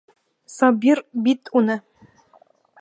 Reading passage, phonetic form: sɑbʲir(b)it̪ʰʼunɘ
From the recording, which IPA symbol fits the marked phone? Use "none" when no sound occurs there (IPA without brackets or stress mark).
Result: b